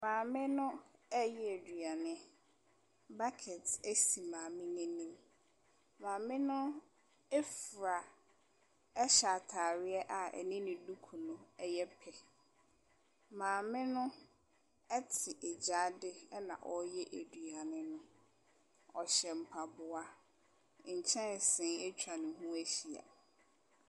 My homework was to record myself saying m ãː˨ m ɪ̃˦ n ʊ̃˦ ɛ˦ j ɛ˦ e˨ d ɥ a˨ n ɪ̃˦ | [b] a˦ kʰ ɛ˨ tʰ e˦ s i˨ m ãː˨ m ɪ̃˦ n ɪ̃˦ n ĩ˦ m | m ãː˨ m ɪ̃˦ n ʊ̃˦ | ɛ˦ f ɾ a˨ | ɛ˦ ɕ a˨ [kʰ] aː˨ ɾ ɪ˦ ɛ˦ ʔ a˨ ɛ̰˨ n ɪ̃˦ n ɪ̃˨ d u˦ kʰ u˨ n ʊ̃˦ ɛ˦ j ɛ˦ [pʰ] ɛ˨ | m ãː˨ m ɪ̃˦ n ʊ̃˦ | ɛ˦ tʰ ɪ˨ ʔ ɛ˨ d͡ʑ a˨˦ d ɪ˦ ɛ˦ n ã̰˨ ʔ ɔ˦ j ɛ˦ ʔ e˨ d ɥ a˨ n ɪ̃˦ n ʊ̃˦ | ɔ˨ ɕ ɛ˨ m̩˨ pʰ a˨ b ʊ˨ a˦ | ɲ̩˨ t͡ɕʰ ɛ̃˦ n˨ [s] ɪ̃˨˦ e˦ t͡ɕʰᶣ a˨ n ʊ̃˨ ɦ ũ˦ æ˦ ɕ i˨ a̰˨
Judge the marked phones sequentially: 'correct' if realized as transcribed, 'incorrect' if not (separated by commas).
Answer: correct, incorrect, correct, correct